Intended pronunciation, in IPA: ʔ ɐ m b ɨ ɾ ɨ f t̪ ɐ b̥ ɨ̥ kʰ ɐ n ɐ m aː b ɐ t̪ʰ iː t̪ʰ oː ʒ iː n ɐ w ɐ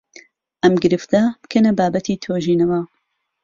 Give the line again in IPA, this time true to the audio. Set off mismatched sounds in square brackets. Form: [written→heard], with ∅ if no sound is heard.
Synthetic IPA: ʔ ɐ m [b→ɡ] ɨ ɾ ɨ f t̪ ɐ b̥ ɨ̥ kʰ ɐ n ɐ [m→b] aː b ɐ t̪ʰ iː t̪ʰ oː ʒ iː n ɐ w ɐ